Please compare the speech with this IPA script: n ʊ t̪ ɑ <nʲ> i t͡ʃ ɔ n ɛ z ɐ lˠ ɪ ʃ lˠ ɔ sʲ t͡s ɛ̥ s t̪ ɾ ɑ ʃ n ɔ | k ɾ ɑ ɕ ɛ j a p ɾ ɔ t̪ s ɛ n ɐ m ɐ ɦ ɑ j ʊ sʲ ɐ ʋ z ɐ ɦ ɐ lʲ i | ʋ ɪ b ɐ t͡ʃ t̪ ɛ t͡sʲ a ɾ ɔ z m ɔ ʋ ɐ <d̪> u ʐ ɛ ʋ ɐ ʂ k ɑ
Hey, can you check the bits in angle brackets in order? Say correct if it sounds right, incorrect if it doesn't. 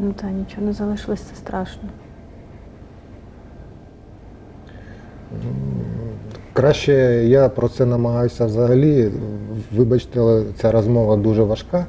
correct, correct

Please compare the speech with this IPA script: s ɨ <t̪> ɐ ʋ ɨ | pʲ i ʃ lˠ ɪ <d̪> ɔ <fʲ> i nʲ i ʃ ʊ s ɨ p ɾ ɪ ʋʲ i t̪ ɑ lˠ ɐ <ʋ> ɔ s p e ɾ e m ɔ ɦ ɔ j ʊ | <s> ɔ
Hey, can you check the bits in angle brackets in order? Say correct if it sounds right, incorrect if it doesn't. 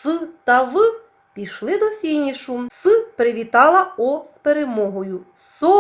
correct, correct, correct, incorrect: none, correct

